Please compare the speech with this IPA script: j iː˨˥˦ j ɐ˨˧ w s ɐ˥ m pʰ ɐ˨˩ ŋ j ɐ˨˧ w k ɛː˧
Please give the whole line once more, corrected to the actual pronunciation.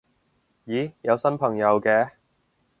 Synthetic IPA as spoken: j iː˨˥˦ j ɐ˨˧ w s ɐ˥ n pʰ ɐ˨˩ ŋ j ɐ˨˧ w k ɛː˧